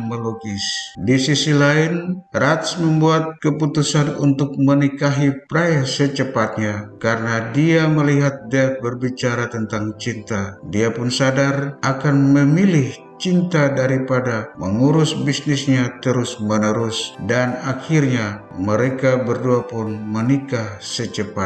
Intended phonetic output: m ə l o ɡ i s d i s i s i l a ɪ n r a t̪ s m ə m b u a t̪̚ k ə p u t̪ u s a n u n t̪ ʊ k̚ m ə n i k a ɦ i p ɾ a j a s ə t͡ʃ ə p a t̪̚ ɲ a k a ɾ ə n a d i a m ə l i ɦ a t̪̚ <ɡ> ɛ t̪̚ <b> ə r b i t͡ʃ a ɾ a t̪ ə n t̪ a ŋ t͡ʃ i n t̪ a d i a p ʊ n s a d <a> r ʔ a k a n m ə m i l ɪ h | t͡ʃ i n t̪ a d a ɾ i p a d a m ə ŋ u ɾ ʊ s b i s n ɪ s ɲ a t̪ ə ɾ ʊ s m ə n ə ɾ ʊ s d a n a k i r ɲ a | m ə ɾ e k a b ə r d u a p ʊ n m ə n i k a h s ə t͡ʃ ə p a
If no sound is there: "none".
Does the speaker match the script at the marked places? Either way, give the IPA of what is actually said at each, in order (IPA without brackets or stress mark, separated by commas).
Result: d, b, a